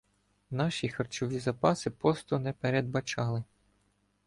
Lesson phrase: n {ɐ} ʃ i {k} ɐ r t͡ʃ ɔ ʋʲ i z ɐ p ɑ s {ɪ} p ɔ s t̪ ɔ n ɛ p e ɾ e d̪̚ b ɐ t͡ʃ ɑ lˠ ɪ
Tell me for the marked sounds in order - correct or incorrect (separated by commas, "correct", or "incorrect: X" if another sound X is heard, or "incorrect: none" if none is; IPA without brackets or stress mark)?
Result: incorrect: ɑ, incorrect: x, correct